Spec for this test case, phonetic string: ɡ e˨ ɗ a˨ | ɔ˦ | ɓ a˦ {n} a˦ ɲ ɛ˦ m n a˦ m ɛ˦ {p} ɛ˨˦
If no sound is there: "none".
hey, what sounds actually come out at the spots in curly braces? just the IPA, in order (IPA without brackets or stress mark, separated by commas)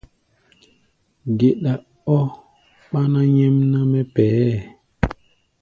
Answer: n, p